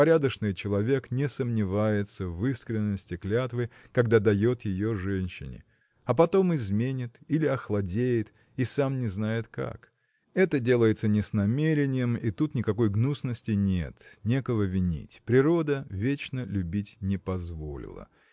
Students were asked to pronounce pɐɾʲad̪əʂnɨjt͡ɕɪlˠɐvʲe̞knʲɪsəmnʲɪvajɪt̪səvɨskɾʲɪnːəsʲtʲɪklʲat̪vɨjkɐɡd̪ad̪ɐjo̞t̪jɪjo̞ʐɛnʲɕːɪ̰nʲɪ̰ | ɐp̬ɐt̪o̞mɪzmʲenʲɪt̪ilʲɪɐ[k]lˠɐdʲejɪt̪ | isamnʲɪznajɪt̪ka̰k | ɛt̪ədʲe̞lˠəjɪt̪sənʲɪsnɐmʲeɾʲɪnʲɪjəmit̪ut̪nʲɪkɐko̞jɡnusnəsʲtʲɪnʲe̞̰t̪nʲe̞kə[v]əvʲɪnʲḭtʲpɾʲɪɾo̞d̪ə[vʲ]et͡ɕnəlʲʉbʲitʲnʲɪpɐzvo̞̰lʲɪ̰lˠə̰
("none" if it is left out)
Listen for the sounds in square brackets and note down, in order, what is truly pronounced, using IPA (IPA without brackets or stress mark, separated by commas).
x, v, vʲ